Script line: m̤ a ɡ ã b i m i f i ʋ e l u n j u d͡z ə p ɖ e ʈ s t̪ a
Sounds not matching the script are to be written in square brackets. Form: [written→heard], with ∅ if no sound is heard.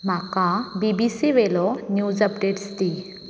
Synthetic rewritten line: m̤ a [ɡ→k] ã b i [m→b] i [f→s] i ʋ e l [u→ɔ] n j u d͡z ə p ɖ e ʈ s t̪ [a→i]